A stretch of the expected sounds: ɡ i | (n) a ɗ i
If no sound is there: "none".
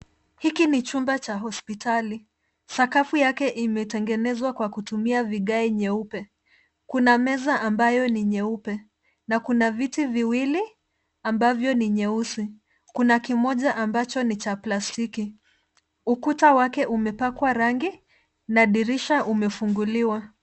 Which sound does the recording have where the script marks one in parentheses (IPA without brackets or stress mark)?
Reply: n